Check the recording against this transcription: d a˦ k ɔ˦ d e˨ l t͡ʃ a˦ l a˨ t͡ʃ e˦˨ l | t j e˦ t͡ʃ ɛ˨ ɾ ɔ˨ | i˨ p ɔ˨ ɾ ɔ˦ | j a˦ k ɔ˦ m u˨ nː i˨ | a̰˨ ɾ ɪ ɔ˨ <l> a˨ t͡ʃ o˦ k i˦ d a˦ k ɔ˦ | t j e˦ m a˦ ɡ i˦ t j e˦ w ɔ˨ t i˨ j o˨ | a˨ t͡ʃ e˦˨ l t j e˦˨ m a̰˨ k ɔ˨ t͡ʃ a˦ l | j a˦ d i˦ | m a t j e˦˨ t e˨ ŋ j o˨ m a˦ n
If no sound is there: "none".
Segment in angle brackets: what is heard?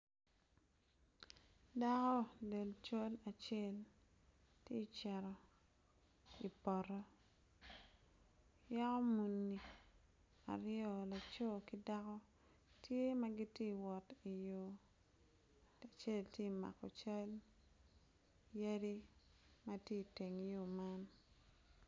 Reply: l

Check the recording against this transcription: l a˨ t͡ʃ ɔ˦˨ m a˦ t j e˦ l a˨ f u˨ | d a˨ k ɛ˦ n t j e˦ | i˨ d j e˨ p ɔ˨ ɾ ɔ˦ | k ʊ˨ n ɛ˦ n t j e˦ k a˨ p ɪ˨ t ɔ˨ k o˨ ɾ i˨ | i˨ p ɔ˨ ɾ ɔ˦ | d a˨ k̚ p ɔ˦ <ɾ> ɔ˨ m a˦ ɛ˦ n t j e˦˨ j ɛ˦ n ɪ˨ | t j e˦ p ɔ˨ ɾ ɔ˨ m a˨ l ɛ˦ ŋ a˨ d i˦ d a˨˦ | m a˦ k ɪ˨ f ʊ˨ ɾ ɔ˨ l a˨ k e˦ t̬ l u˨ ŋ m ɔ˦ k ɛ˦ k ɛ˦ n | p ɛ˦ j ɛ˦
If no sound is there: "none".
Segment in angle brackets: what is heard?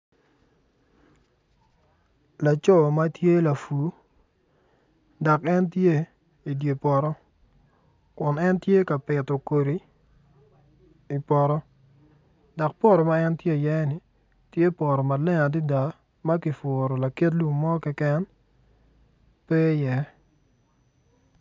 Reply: ɾ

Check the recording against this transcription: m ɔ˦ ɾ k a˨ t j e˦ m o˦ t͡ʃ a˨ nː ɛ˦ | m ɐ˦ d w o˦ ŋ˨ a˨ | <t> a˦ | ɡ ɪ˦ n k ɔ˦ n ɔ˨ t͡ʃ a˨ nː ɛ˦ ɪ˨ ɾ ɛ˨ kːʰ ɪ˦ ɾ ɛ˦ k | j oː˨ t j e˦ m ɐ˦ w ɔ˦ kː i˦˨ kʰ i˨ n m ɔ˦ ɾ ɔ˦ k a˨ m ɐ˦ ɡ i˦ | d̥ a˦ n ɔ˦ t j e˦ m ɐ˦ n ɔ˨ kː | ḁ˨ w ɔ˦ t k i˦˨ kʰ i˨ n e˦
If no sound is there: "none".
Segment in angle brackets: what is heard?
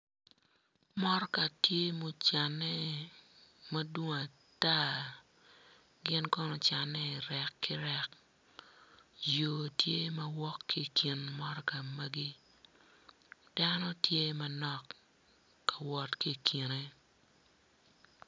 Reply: t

